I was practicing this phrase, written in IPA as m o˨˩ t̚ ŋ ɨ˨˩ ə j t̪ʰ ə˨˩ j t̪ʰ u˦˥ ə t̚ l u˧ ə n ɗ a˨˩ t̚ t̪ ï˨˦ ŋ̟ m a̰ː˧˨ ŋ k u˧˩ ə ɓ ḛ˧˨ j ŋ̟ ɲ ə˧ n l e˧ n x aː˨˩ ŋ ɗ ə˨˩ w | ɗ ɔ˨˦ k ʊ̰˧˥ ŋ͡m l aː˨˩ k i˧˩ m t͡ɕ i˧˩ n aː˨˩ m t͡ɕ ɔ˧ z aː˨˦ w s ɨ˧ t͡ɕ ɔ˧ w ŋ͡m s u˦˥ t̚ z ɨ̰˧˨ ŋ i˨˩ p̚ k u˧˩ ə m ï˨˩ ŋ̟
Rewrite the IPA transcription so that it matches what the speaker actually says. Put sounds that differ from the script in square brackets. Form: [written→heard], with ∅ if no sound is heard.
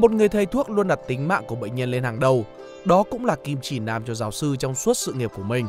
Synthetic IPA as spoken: m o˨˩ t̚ ŋ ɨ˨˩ ə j t̪ʰ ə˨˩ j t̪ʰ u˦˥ ə [t̚→k̚] l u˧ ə n ɗ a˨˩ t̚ t̪ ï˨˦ ŋ̟ m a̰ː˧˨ ŋ k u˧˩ ə ɓ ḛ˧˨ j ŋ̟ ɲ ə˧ n l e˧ n [x→h] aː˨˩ ŋ ɗ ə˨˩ w | ɗ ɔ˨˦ k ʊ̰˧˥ ŋ͡m l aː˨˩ k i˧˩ m t͡ɕ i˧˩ n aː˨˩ m t͡ɕ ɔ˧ z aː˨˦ w s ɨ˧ t͡ɕ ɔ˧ w ŋ͡m s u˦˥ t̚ [z→s] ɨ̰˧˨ ŋ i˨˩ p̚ k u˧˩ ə m ï˨˩ ŋ̟